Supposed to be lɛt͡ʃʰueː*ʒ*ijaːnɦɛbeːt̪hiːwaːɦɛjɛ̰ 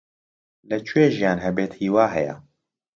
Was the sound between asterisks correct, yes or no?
yes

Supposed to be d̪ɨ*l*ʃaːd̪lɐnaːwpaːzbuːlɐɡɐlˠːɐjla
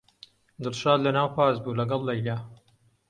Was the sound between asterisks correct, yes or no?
yes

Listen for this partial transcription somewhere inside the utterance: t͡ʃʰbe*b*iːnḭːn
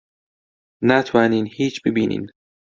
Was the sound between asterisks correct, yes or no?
yes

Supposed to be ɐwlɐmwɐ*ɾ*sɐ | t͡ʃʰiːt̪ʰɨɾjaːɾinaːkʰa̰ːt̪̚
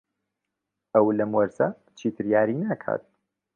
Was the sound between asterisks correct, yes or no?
yes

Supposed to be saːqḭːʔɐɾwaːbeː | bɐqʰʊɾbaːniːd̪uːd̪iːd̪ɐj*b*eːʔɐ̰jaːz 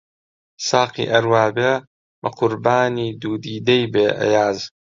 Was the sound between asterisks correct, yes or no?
yes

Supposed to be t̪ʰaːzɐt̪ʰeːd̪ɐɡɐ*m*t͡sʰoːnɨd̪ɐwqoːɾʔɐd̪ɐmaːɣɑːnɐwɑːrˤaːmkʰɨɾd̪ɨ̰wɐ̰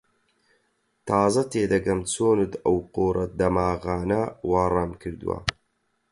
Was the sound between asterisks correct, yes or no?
yes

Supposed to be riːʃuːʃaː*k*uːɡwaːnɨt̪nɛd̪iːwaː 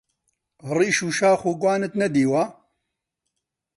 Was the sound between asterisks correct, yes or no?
no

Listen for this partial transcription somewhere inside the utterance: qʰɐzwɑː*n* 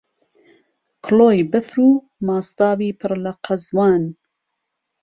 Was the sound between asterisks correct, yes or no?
yes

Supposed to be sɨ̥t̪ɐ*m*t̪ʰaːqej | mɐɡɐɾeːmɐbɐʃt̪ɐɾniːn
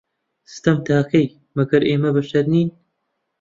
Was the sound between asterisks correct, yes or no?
yes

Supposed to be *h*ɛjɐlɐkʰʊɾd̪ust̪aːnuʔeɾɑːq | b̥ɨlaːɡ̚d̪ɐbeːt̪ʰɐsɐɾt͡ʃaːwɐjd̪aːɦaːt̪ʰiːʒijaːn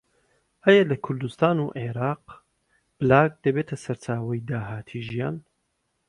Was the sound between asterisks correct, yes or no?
yes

